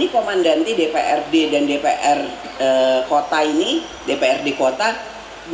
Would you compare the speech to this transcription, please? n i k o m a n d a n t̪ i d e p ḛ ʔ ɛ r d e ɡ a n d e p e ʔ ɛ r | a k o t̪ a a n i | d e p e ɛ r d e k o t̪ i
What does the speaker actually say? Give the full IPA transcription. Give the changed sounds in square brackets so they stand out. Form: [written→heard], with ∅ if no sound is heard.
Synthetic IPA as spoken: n i k o m a n d a n t̪ i d e p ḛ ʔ ɛ r d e [ɡ→d] a n d e p e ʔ ɛ r | [a→ə] k o t̪ a [a→i] n i | d e p e ɛ r d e k o t̪ [i→a]